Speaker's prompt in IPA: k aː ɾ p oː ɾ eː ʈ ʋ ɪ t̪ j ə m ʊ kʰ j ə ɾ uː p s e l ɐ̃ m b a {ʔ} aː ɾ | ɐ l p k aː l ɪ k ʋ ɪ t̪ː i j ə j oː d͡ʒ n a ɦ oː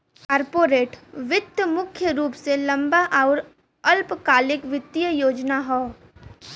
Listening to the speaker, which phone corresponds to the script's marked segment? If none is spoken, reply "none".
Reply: ʔ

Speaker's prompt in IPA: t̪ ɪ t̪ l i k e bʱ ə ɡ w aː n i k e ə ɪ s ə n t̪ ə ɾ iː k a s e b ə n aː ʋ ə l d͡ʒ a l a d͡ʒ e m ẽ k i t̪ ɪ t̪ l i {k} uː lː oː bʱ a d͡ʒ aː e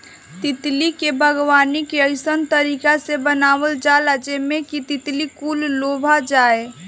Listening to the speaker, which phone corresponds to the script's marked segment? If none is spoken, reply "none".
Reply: k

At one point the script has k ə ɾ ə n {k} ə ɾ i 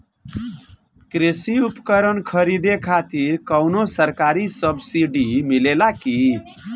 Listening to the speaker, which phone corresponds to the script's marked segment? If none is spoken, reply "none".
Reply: kʰ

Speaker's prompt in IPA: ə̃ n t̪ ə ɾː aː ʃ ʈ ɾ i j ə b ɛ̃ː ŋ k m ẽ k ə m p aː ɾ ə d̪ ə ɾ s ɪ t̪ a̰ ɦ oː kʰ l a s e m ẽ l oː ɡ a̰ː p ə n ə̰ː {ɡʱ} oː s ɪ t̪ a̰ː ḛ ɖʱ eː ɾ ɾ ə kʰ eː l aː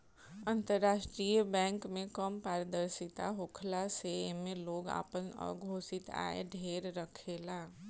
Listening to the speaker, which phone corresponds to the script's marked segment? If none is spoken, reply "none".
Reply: ɡʱ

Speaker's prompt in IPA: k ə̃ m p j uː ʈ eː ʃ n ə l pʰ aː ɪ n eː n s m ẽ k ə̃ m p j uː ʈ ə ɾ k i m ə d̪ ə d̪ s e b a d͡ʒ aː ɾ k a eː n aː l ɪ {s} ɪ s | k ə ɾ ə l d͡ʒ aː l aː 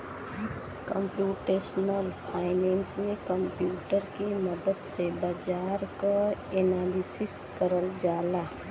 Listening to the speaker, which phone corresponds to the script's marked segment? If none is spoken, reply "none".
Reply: s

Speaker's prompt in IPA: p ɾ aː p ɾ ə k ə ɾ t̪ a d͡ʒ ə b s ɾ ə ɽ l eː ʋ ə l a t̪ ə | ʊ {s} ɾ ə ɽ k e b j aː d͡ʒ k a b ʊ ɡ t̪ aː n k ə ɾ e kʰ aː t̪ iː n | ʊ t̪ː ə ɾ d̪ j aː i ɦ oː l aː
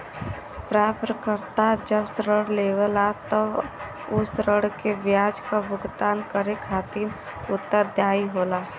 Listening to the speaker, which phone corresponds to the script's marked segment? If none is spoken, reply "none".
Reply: s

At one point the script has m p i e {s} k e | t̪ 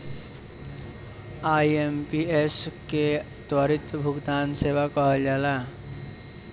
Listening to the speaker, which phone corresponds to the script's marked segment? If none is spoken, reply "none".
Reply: s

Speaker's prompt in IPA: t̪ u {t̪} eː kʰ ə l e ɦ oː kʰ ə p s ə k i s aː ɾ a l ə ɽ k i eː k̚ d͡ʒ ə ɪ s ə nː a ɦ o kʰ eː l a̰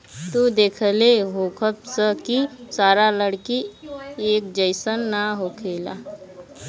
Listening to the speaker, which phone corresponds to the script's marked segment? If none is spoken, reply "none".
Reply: d̪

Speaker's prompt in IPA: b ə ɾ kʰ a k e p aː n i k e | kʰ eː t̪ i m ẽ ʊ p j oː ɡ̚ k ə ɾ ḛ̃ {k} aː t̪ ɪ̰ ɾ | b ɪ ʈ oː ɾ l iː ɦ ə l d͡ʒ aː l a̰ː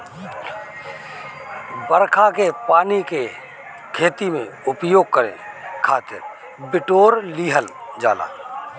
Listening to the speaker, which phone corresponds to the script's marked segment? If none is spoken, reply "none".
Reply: kʰ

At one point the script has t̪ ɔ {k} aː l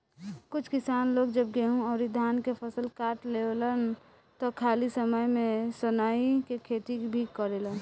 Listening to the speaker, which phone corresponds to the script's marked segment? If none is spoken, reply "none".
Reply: kʰ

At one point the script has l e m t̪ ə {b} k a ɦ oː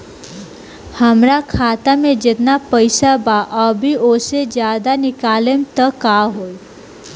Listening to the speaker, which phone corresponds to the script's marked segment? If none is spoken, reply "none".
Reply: none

